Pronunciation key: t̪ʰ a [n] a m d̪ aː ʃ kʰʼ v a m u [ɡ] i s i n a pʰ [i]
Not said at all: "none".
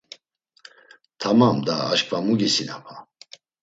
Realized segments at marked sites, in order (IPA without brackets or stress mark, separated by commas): m, ɡ, a